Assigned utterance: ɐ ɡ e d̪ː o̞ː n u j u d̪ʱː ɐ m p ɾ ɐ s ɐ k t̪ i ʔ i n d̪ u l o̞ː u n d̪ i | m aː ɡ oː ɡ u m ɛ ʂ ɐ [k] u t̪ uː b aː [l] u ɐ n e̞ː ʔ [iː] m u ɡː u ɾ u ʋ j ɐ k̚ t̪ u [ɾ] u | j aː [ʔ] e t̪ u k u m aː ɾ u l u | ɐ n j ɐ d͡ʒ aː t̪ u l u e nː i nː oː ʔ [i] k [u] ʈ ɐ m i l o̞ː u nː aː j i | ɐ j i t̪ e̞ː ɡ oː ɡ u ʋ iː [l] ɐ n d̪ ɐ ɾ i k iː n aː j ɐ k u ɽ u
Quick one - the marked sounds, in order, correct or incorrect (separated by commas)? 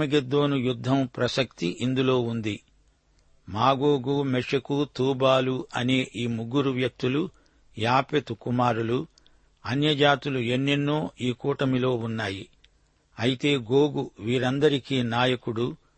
correct, correct, correct, incorrect, incorrect, incorrect, incorrect, incorrect